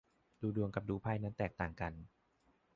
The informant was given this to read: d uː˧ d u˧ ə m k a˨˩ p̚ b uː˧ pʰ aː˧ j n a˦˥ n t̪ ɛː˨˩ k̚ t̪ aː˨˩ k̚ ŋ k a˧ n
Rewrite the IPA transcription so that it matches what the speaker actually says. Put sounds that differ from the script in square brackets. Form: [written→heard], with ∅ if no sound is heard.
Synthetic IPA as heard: d uː˧ d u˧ ə [m→ŋ] k a˨˩ p̚ [b→d] uː˧ pʰ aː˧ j n a˦˥ n t̪ ɛː˨˩ k̚ t̪ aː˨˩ [k̚→∅] ŋ k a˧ n